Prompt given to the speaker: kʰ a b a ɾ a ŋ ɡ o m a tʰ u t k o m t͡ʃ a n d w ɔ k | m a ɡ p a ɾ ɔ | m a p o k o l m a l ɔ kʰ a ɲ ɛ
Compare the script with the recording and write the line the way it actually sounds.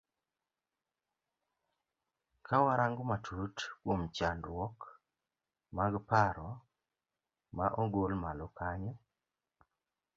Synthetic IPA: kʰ a w a ɾ a ŋ ɡ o m a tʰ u t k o m t͡ʃ a n d w ɔ k | m a ɡ p a ɾ ɔ | m a ʔ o ɡ o l m a l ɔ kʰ a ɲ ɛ